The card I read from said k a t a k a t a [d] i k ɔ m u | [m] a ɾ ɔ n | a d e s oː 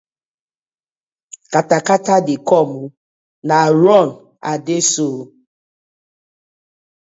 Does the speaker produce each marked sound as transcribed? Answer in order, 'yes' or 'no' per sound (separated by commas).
yes, no